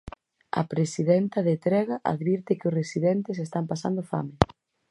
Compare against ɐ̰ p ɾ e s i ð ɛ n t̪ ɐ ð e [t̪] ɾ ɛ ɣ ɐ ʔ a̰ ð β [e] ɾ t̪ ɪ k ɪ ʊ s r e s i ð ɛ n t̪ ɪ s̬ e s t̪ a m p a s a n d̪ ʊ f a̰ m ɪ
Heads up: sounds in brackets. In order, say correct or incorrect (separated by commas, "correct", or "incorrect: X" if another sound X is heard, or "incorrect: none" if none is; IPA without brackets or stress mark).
correct, incorrect: i